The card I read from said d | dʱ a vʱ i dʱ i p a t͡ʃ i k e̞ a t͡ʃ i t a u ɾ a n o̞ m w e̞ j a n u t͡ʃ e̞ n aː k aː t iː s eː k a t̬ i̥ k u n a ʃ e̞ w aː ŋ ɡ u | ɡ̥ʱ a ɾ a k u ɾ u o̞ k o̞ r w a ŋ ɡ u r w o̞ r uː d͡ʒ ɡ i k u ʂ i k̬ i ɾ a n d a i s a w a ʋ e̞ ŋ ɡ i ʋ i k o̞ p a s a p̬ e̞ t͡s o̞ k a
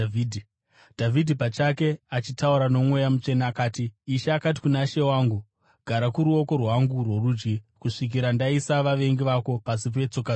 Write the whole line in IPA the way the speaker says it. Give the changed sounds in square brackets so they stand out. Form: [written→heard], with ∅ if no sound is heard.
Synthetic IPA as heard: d | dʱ a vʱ i dʱ i p a t͡ʃ [i→a] k e̞ a t͡ʃ i t a u ɾ a n o̞ m w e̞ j a [n→m] u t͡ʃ e̞ n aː k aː t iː [s→ʃ] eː k a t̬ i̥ k u n a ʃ e̞ w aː ŋ ɡ u | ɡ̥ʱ a ɾ a k u ɾ u o̞ k o̞ r w a ŋ ɡ u r w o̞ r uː d͡ʒ ɡ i k u ʂ i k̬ i ɾ a n d a i s a [w→ʋ] a ʋ e̞ ŋ ɡ i ʋ [i→a] k o̞ p a s [a→i] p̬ e̞ t͡s o̞ k a